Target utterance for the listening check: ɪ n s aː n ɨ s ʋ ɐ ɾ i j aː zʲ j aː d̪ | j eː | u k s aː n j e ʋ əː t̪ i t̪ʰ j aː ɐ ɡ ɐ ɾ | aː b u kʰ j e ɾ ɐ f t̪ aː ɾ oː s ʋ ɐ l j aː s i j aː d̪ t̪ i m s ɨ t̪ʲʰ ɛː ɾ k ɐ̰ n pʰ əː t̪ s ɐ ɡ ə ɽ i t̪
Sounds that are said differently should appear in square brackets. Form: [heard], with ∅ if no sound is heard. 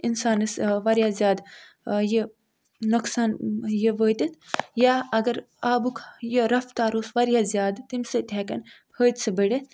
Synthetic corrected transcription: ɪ n s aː n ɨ s ʋ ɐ ɾ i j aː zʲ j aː d̪ | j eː | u k s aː n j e ʋ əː t̪ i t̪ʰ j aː ɐ ɡ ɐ ɾ | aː b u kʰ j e ɾ ɐ f t̪ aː ɾ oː s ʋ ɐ [ɾ] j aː [z] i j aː d̪ t̪ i m s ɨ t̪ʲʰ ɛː [∅] k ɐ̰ n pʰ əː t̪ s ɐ [b] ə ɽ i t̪